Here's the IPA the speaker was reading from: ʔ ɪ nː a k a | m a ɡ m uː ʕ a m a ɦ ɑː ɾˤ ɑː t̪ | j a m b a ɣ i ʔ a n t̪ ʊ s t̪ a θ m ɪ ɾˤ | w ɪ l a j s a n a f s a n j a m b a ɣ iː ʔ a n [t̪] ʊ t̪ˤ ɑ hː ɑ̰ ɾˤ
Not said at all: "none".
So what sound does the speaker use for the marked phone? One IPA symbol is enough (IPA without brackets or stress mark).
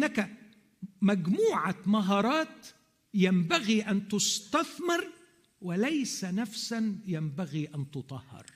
t̪